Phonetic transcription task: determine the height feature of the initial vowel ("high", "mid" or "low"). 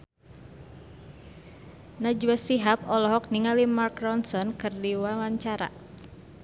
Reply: low